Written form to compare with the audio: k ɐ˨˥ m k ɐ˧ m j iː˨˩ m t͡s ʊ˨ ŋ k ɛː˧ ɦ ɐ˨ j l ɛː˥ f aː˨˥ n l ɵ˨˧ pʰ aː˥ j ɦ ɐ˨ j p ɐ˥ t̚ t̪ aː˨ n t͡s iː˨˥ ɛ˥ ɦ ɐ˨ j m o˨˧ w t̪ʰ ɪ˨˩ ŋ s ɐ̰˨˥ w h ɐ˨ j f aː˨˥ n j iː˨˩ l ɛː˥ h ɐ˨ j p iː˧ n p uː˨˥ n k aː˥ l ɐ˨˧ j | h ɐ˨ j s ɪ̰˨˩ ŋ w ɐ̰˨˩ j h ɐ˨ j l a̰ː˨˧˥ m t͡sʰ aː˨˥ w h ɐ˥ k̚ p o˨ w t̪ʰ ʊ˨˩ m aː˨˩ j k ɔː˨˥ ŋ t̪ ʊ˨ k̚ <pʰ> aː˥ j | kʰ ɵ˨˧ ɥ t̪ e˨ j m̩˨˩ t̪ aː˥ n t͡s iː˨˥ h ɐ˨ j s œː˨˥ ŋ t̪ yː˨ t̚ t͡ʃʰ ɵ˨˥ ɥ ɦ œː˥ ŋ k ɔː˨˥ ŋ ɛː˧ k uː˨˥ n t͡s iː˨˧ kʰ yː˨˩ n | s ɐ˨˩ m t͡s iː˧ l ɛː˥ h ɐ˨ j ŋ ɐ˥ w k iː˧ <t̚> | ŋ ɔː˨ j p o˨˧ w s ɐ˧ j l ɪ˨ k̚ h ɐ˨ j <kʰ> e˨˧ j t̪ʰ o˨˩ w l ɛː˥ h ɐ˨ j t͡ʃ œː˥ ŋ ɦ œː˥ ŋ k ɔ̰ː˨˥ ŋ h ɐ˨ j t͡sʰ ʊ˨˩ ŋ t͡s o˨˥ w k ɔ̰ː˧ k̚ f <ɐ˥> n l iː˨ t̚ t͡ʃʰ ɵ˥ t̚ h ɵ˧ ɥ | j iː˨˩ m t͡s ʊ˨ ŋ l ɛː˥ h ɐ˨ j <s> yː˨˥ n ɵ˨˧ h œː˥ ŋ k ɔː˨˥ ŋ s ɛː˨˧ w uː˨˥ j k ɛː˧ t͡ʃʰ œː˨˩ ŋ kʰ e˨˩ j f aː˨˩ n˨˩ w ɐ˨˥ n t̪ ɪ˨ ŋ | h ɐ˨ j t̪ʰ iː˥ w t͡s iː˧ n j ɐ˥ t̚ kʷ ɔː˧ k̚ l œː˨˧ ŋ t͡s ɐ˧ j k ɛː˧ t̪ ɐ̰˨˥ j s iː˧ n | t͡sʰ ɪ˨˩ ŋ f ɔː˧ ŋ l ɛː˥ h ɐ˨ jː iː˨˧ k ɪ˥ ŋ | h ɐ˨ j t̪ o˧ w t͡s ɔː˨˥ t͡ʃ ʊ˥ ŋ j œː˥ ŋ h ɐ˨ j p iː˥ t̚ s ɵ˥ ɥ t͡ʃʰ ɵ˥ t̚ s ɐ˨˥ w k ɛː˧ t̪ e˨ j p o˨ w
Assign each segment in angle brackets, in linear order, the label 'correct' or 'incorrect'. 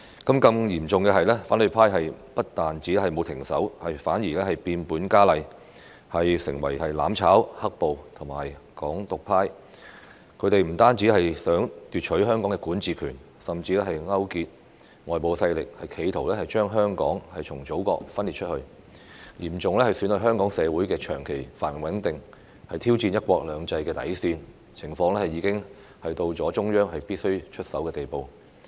correct, correct, correct, correct, correct

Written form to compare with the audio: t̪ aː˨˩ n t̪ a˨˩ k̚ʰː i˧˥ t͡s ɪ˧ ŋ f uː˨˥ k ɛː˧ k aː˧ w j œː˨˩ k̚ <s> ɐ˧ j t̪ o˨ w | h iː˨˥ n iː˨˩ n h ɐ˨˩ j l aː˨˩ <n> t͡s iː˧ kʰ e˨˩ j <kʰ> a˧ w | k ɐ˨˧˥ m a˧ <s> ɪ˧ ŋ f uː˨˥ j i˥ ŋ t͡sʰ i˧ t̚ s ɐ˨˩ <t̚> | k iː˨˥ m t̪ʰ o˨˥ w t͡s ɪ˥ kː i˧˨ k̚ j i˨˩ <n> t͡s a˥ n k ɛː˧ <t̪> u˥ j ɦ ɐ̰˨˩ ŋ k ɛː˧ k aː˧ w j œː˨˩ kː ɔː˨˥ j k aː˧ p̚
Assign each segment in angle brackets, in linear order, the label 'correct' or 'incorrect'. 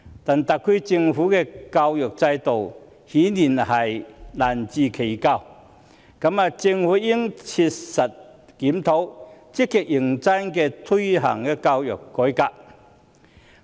incorrect, correct, incorrect, incorrect, correct, incorrect, incorrect

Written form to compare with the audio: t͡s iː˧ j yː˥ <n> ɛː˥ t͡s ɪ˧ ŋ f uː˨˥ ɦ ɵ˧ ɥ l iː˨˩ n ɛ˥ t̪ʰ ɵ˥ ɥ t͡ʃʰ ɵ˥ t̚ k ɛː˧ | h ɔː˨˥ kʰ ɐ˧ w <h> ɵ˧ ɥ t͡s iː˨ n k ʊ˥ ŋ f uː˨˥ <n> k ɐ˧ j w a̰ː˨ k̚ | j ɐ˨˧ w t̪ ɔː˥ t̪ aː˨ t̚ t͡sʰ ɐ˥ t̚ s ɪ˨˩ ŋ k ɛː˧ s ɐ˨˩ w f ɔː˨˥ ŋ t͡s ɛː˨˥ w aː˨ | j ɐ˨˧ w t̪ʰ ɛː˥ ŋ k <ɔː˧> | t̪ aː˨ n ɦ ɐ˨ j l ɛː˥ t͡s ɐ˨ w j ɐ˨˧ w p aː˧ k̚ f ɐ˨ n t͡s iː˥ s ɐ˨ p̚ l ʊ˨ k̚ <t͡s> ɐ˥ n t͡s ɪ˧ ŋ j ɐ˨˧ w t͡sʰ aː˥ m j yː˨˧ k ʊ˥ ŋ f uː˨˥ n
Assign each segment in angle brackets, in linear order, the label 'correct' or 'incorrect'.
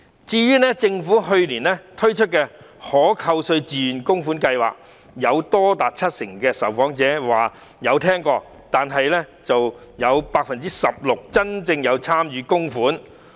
correct, incorrect, correct, correct, correct

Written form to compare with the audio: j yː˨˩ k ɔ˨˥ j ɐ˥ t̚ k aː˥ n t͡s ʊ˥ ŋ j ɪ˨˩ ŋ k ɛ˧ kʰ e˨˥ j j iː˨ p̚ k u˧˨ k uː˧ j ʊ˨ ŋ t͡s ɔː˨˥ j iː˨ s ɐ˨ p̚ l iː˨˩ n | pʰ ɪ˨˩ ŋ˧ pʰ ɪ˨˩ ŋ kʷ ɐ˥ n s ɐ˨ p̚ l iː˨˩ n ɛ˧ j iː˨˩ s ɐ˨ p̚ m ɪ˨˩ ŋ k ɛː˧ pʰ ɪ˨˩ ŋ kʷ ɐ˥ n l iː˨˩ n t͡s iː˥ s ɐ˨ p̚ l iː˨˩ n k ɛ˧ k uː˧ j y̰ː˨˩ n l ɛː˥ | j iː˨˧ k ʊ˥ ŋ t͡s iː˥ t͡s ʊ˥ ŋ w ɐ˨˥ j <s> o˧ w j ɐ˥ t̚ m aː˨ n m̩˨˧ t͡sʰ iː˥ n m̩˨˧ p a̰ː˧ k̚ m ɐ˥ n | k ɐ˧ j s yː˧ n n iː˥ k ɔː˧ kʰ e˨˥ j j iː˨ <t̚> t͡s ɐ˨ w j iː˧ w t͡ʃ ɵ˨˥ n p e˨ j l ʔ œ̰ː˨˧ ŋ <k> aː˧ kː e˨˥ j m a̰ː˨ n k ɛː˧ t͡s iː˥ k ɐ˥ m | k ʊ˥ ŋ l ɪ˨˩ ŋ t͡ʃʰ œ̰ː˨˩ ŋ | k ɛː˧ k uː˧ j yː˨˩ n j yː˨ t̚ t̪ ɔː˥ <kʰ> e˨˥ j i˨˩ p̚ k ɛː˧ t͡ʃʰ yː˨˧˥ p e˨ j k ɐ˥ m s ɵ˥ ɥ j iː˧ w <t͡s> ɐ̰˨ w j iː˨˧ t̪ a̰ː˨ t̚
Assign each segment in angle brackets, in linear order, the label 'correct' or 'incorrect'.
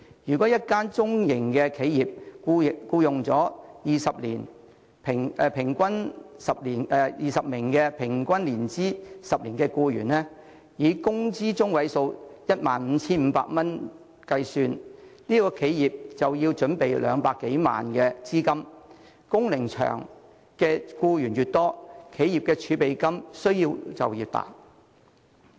correct, incorrect, incorrect, correct, correct

